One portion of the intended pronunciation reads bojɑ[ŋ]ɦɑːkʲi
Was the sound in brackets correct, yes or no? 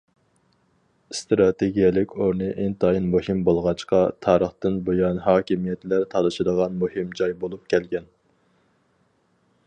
no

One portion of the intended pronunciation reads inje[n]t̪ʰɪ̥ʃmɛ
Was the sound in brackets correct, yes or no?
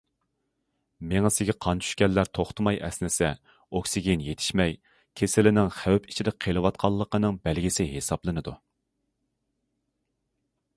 no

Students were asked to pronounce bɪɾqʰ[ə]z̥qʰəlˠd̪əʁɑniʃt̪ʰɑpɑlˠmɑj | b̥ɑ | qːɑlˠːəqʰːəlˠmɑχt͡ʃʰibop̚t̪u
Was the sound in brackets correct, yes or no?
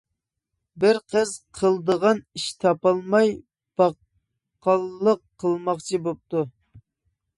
yes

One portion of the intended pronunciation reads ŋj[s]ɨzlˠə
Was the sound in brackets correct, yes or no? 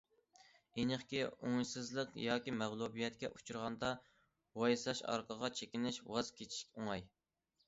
yes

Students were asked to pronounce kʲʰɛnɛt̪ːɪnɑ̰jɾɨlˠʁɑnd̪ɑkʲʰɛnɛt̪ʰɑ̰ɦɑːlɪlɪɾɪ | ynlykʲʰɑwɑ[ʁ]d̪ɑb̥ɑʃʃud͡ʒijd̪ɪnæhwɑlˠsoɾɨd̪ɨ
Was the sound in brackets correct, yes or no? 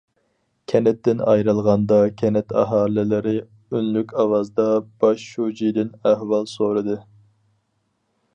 no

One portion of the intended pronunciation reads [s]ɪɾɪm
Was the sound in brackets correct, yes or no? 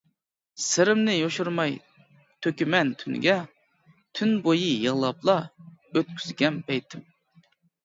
yes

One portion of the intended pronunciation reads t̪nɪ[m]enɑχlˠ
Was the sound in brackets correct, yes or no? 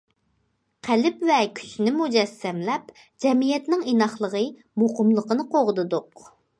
no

